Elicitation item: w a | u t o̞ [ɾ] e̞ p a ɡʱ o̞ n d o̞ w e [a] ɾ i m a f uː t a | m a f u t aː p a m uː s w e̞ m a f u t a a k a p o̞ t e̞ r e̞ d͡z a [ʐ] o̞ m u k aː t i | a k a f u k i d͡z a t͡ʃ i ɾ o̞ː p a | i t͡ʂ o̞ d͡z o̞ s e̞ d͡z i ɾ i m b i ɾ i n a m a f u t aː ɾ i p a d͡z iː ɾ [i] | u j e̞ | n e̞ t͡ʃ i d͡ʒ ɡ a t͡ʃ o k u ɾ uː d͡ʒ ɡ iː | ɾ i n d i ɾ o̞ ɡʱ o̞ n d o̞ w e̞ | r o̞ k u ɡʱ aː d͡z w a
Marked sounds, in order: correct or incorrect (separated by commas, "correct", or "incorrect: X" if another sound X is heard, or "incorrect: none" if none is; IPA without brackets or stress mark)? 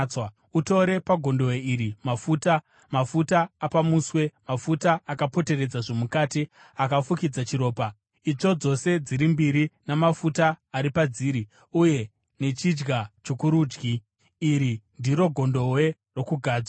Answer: correct, incorrect: i, correct, correct